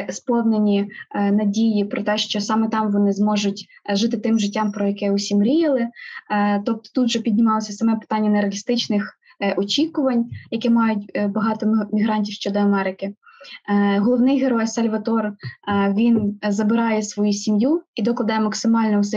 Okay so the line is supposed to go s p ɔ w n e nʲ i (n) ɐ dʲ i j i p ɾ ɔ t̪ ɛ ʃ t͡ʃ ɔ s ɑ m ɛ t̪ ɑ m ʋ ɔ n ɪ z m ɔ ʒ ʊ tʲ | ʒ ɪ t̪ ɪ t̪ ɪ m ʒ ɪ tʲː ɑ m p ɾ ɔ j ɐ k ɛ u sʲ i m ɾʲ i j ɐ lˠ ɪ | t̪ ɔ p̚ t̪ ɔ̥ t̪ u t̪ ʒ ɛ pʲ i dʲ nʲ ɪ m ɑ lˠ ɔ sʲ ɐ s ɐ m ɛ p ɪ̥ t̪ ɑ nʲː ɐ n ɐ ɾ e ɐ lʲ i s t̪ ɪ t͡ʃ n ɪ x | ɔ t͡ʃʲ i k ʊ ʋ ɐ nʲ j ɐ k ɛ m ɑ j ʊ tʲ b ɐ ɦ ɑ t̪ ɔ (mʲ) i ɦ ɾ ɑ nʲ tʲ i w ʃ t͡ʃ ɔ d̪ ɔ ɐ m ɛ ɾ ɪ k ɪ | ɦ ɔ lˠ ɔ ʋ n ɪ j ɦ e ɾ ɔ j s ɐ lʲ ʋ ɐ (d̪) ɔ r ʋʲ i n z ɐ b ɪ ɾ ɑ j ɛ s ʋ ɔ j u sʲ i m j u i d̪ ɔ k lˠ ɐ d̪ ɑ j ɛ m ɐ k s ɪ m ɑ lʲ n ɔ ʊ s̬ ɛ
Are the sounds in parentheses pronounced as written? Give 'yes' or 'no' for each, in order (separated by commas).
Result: yes, yes, no